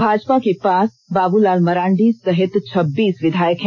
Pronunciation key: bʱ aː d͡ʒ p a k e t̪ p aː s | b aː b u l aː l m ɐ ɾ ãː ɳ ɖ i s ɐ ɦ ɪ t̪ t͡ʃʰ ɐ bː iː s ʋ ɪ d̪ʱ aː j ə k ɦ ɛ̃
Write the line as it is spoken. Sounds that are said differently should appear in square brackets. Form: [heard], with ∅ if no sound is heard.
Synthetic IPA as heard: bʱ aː d͡ʒ p a k e [∅] p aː s | b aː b u l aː l m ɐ ɾ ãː ɳ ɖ i s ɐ ɦ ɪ t̪ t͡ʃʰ ɐ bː iː s ʋ ɪ d̪ʱ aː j ə k ɦ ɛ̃